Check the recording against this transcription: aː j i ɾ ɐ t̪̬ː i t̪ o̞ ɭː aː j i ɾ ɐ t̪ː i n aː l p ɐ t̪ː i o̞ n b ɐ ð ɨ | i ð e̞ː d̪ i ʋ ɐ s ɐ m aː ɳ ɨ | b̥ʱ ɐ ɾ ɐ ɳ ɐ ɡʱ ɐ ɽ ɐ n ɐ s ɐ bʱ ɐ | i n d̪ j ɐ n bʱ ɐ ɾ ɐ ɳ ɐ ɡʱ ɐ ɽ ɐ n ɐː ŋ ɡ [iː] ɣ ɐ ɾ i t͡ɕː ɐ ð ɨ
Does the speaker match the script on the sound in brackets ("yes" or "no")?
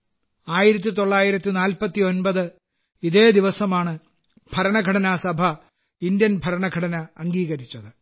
yes